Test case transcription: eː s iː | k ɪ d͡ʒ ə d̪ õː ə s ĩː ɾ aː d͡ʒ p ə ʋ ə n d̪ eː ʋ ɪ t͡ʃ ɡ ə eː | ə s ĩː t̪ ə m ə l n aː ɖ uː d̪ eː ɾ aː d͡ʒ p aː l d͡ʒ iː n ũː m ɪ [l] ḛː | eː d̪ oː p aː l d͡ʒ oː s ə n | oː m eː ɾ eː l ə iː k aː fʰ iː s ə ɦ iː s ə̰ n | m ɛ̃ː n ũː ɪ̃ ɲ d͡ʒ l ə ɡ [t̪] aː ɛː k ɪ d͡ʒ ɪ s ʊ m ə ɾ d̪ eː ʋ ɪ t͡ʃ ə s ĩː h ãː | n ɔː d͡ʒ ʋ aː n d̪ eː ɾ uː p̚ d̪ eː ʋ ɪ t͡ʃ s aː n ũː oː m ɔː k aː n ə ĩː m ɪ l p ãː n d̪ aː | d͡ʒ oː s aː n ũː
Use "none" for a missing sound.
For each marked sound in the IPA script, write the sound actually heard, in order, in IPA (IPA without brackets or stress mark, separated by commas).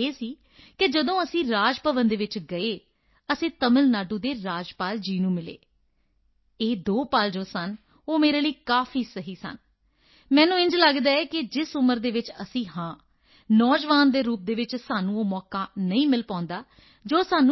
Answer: l, d̪